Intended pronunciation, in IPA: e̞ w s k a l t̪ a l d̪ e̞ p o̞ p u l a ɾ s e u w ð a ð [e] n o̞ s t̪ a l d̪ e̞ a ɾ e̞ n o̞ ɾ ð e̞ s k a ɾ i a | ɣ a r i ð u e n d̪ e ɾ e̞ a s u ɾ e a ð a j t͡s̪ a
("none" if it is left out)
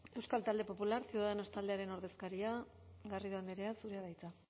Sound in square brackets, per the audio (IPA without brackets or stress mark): e